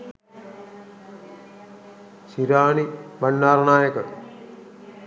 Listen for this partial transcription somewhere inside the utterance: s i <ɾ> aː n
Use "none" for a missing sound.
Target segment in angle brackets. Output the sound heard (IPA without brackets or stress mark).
ɾ